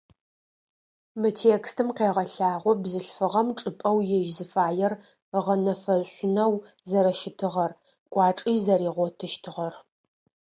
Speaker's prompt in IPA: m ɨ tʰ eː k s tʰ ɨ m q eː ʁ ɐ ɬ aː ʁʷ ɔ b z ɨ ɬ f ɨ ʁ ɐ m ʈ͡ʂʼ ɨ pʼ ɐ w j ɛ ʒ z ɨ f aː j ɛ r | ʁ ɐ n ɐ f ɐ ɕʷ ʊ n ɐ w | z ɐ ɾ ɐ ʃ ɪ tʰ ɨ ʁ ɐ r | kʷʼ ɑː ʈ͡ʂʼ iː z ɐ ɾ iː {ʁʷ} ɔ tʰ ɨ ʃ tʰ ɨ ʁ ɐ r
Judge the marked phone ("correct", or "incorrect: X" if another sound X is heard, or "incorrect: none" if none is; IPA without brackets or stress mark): correct